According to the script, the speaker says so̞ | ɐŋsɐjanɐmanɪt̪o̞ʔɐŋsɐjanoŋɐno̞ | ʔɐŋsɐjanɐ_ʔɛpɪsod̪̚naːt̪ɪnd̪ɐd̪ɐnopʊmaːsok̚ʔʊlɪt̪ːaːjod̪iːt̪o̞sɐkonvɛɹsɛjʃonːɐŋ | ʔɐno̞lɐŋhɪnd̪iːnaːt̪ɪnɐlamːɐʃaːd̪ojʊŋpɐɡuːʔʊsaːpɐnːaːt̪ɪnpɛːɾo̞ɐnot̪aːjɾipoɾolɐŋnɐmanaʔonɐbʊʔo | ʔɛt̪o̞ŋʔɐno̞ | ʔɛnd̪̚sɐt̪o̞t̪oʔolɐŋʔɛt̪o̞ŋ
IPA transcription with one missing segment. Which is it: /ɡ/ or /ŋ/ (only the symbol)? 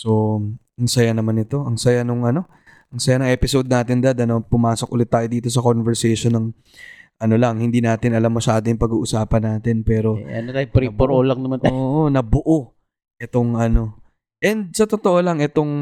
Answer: ŋ